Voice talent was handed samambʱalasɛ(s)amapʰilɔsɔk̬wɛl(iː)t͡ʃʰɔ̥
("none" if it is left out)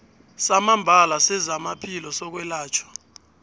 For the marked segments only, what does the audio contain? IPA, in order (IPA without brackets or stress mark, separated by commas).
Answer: z, aː